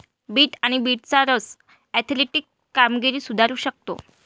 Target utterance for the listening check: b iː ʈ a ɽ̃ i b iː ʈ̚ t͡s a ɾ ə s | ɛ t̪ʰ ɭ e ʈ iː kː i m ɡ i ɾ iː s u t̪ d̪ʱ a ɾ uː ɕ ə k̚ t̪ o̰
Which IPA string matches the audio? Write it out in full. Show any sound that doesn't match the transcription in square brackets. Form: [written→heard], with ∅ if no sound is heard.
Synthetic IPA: b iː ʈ a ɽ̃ i b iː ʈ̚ t͡s a ɾ ə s | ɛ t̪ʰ [ɭ→l] e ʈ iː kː [i→a] m ɡ i ɾ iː s u [t̪→∅] d̪ʱ a ɾ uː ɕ ə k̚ t̪ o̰